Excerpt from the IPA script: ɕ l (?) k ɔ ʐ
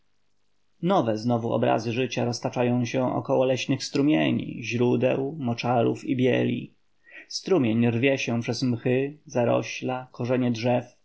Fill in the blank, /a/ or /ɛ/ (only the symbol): a